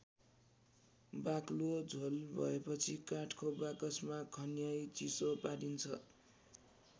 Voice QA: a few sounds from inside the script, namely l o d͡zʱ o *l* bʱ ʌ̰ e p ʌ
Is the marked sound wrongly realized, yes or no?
no